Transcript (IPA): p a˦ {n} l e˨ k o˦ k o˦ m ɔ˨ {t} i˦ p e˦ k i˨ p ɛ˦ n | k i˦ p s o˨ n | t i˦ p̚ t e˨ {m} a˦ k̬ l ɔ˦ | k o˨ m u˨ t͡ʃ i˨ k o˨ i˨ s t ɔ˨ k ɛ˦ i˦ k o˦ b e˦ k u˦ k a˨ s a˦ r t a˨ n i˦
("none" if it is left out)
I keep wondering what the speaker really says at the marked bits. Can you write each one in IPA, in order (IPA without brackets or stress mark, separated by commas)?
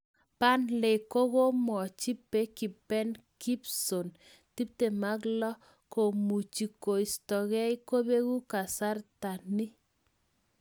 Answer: n, t͡ʃ, m